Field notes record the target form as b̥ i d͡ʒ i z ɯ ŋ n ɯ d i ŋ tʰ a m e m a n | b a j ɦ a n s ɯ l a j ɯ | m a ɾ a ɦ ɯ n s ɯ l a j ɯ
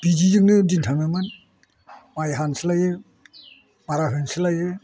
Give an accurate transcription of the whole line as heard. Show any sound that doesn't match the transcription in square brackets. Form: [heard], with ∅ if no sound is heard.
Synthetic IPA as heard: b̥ i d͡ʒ i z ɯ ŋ n ɯ d i [n] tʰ a m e m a n | [m] a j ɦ a n s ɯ l a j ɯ | m a ɾ a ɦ ɯ n s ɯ l a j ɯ